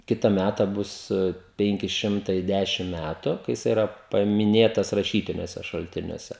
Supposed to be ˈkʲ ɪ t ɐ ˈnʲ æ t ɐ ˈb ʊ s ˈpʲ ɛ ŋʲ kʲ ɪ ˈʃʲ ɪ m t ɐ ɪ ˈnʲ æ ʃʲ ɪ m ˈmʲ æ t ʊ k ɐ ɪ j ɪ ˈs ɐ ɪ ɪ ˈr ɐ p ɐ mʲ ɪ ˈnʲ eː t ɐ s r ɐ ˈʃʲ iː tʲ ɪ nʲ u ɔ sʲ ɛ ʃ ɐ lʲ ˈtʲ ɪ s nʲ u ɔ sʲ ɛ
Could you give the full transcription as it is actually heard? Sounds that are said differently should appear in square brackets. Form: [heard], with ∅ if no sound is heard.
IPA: ˈkʲ ɪ t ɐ [ˈmʲ] æ t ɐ ˈb ʊ s ˈpʲ ɛ ŋʲ kʲ ɪ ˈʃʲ ɪ m t ɐ ɪ [ˈdʲ] æ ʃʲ ɪ m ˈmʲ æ t ʊ k ɐ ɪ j ɪ ˈs ɐ ɪ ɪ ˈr ɐ p ɐ mʲ ɪ ˈnʲ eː t ɐ s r ɐ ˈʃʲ iː tʲ ɪ nʲ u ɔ sʲ ɛ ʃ ɐ lʲ ˈtʲ ɪ [∅] nʲ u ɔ sʲ ɛ